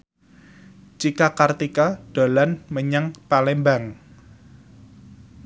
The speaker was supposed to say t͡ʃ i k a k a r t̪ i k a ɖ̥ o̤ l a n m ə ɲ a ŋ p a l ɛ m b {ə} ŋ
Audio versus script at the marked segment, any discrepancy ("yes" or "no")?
yes